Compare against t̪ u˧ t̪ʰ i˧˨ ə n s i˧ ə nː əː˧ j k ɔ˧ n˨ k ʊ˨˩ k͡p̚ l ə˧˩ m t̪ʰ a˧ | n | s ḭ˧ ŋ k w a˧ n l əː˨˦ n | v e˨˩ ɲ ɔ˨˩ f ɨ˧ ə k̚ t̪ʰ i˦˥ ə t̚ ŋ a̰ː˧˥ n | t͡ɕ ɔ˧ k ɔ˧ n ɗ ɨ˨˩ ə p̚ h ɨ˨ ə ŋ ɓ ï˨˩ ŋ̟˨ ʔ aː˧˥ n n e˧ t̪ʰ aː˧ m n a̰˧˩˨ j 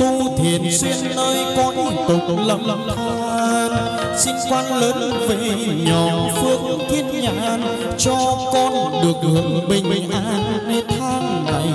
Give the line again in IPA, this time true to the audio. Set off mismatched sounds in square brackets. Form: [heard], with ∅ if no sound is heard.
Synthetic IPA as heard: t̪ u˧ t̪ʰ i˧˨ ə n s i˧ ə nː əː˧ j k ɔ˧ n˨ k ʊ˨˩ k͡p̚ l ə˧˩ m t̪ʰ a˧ | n | s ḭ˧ ŋ k w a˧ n l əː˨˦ n | v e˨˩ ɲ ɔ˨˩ f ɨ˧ ə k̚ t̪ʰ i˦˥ ə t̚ [ɲ] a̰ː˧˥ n | t͡ɕ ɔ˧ k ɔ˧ n ɗ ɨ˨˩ ə [k̚] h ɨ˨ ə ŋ ɓ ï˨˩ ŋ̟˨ ʔ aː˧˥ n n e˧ t̪ʰ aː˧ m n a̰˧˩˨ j

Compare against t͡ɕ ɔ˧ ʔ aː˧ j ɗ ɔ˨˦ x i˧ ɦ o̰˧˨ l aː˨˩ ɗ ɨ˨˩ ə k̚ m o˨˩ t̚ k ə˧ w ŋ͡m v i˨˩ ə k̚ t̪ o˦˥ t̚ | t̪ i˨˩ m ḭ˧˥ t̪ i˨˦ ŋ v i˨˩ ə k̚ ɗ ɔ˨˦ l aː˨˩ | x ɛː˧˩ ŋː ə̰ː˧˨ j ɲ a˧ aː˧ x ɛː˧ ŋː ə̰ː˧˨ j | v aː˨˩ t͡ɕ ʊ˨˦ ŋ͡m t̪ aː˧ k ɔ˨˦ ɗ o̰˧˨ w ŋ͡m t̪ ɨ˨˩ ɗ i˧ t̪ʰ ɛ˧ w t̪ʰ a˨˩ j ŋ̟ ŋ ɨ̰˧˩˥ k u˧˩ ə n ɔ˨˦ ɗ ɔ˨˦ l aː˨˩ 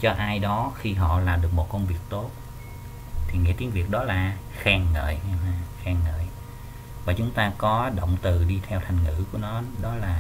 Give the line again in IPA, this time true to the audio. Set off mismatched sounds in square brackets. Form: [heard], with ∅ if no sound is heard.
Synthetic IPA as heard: t͡ɕ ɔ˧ ʔ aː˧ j ɗ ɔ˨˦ x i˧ ɦ [ɔ̰˧˨] l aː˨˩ ɗ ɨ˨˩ ə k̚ m o˨˩ t̚ k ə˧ w ŋ͡m v i˨˩ ə k̚ t̪ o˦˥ t̚ | [t̪ʰ] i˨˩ [ŋ] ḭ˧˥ t̪ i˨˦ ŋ v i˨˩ ə k̚ ɗ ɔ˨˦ l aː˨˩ | x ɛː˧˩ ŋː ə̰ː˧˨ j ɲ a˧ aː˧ x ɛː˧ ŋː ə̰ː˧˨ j | v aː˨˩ t͡ɕ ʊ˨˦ ŋ͡m t̪ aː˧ k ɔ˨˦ ɗ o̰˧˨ w ŋ͡m t̪ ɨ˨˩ ɗ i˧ t̪ʰ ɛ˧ w t̪ʰ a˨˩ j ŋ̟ ŋ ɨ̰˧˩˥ k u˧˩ ə n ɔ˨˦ ɗ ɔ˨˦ l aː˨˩

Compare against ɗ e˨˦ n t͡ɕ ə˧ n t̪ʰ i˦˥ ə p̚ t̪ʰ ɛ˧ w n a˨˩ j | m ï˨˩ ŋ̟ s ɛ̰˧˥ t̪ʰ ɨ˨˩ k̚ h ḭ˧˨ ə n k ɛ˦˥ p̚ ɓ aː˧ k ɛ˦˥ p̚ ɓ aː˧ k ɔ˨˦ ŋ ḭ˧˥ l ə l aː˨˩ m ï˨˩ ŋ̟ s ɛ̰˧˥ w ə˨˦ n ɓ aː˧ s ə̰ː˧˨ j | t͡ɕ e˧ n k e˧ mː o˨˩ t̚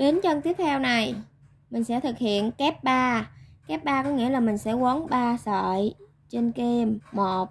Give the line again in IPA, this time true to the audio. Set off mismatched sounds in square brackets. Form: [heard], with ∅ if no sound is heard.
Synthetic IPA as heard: ɗ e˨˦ n t͡ɕ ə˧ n [t̪] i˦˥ ə p̚ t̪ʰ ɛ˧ w n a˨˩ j | m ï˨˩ ŋ̟ s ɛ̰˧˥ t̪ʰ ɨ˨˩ k̚ h ḭ˧˨ ə n k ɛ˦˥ p̚ ɓ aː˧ k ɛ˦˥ p̚ ɓ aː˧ k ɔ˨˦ ŋ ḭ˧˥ [∅] ə l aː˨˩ m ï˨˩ ŋ̟ s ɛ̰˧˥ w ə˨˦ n ɓ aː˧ s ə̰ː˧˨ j | t͡ɕ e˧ n k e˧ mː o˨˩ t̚

